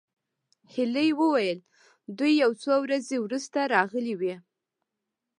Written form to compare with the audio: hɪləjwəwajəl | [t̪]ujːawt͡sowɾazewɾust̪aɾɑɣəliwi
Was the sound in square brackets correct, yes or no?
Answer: no